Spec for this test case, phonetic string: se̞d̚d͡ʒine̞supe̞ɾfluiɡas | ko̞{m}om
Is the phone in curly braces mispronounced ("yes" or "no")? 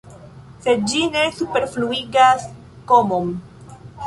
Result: no